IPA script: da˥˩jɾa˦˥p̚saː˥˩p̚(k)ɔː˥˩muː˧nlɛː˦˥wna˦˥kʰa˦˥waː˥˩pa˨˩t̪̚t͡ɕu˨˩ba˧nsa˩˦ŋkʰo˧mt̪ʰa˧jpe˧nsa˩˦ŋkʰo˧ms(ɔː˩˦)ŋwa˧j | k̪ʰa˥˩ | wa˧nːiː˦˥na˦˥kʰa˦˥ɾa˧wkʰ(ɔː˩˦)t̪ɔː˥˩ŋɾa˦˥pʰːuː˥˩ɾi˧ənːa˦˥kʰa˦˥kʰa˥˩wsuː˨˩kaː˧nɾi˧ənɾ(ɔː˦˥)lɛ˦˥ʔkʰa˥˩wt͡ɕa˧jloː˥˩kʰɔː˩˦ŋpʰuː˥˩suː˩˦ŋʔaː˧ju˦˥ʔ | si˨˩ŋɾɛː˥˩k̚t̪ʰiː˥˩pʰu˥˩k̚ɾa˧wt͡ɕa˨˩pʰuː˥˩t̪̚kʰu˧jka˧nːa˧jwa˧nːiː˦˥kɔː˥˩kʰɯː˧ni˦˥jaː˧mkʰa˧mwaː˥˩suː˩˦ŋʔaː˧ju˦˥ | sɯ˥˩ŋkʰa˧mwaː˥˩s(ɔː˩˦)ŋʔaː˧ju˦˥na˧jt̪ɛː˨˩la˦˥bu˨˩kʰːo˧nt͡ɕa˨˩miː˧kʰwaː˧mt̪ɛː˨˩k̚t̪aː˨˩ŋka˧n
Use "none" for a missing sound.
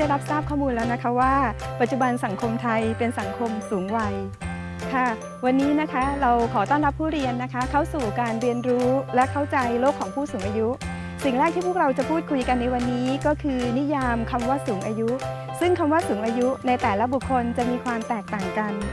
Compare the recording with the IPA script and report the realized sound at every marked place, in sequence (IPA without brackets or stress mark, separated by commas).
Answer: kʰ, uː˩˦, ɔː˩˦, uː˦˥, uː˩˦